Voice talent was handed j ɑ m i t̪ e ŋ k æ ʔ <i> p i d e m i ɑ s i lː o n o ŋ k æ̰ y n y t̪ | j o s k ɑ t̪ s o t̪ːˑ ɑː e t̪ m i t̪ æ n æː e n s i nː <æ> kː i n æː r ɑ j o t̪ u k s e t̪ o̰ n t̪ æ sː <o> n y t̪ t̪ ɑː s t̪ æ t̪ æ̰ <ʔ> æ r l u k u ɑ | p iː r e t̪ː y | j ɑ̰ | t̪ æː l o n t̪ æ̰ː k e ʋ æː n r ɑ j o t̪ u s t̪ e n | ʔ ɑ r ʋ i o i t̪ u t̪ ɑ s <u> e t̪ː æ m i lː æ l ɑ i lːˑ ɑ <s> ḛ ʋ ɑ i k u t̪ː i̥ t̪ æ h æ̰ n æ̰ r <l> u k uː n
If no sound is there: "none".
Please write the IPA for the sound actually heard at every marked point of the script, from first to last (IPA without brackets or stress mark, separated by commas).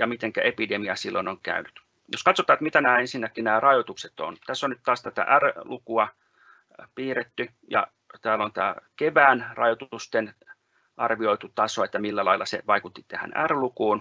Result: e, æ, o, ʔ, o, s, l